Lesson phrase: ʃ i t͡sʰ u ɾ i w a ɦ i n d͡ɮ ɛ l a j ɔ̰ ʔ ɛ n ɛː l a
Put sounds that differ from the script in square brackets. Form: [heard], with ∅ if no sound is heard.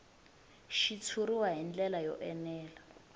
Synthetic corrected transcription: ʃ i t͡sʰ u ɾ i w a ɦ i n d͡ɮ ɛ l a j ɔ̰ ʔ ɛ n ɛː l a